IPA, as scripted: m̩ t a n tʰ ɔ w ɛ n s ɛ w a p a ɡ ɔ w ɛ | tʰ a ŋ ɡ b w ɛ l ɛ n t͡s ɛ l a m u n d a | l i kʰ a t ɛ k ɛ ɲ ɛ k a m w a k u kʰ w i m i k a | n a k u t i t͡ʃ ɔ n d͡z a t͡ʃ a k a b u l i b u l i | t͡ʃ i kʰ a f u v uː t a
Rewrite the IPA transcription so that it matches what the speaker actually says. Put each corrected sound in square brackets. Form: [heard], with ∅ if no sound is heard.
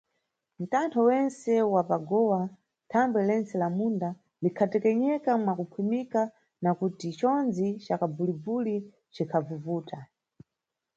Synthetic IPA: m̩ t a n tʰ ɔ w ɛ n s ɛ w a p a ɡ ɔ w [a] | tʰ a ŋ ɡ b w ɛ l ɛ n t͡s ɛ l a m u n d a | l i kʰ a t ɛ k ɛ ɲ ɛ k a m w a k u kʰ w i m i k a | n a k u t i t͡ʃ ɔ n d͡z [i] t͡ʃ a k a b u l i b u l i | t͡ʃ i kʰ a [v] u v uː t a